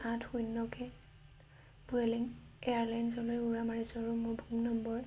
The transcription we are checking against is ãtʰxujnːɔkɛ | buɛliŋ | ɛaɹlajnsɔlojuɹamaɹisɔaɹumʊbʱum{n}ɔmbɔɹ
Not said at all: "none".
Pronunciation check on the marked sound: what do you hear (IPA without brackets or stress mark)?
n